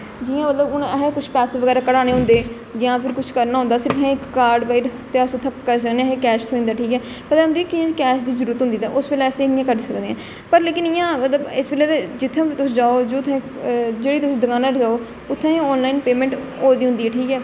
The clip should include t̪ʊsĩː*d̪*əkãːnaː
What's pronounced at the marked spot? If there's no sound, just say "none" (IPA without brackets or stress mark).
d̪